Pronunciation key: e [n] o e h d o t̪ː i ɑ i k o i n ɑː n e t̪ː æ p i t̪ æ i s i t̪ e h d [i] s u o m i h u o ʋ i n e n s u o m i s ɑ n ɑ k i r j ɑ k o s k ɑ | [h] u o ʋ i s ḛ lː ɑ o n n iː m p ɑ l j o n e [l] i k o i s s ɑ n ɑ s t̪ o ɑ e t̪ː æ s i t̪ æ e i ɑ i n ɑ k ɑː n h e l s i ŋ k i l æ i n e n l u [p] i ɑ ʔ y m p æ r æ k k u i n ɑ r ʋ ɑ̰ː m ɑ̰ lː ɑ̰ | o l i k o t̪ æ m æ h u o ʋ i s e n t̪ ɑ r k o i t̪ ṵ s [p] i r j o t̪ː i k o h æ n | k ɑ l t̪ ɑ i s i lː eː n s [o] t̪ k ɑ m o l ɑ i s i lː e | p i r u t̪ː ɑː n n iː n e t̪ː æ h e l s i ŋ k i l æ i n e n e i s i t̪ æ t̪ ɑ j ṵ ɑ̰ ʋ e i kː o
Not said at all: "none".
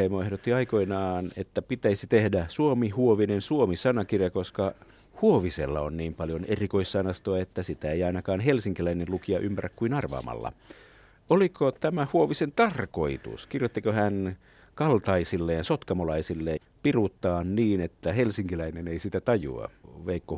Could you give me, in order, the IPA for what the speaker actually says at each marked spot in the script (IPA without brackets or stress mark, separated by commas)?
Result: m, æ, h, r, k, k, o